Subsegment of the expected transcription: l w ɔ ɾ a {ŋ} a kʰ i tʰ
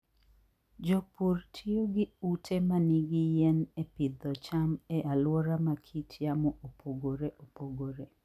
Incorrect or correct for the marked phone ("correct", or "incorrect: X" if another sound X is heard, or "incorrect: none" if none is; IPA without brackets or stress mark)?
incorrect: m